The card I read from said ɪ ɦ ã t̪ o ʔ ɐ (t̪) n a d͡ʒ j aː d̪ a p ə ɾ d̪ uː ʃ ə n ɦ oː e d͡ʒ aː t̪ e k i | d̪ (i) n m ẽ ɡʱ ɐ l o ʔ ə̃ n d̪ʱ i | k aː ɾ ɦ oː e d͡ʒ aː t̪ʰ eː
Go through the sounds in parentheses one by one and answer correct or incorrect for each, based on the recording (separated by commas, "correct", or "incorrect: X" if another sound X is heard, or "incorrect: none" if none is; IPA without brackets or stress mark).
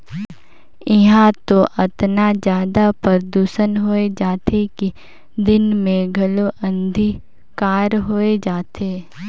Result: correct, incorrect: ɪ